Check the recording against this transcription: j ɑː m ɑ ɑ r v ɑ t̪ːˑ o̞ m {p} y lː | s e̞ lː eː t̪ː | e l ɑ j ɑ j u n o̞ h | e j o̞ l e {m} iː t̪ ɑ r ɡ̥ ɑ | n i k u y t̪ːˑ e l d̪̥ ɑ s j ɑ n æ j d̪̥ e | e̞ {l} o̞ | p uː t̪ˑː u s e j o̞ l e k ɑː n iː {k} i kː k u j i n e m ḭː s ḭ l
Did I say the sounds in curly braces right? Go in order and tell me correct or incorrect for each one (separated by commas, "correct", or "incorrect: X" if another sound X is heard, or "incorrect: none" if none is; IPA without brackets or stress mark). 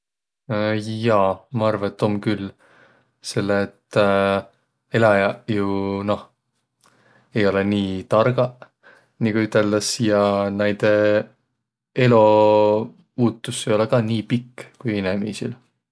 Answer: incorrect: k, incorrect: n, correct, incorrect: p